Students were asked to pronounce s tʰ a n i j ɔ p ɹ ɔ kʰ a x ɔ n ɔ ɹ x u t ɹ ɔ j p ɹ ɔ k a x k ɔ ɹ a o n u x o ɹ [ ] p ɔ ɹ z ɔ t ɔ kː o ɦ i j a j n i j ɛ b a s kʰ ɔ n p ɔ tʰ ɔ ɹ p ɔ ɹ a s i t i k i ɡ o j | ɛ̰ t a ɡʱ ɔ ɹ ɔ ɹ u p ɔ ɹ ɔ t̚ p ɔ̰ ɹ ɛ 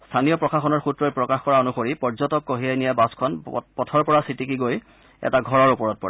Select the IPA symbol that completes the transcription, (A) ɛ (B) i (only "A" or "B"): B